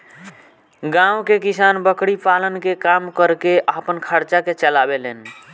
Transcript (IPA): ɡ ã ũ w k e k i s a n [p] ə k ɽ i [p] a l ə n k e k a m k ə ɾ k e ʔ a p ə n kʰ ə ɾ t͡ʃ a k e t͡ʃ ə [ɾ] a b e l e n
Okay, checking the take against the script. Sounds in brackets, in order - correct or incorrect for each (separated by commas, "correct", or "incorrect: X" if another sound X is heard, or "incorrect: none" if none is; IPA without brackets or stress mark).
incorrect: b, correct, incorrect: l